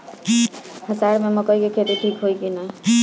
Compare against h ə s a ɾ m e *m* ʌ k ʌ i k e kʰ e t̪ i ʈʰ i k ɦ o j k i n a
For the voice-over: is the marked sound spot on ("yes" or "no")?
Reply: yes